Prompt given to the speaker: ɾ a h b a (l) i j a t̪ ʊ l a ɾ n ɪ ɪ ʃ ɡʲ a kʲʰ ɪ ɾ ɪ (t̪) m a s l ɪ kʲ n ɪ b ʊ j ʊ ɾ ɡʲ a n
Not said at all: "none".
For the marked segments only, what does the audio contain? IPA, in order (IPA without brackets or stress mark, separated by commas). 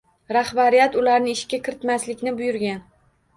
ɾ, t̪